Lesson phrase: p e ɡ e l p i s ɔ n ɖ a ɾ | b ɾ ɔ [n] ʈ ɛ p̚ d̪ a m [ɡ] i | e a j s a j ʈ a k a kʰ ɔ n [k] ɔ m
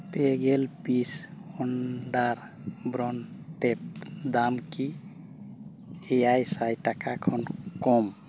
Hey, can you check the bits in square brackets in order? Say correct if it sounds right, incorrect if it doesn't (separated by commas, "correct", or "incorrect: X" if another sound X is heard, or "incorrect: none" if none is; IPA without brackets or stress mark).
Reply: correct, incorrect: k, correct